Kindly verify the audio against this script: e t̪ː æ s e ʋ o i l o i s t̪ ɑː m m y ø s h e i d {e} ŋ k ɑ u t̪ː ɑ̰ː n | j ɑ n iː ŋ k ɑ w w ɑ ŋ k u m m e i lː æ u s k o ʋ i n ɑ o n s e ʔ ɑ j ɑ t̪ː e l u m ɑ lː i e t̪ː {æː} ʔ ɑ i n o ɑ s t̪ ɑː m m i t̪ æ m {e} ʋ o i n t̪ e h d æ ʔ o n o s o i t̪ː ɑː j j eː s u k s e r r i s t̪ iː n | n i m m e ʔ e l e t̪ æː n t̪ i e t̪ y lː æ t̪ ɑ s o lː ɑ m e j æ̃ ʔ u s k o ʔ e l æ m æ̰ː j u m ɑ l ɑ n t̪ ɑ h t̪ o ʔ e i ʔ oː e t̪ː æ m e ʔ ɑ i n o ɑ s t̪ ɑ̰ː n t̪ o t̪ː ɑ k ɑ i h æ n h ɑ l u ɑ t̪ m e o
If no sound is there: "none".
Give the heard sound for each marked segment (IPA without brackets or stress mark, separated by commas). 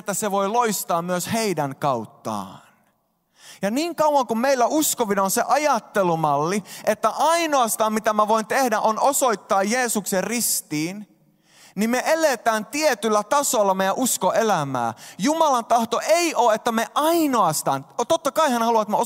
æ, æ, æ